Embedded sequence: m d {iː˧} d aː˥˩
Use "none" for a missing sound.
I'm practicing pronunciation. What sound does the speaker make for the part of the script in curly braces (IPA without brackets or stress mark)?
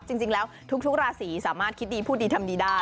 iː˧